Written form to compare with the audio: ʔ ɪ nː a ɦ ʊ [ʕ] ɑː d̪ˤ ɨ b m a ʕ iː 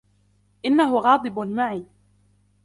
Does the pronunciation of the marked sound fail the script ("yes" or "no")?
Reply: yes